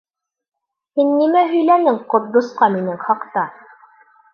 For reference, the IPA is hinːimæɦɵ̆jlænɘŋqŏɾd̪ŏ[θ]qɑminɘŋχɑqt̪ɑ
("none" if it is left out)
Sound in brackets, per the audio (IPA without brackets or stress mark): s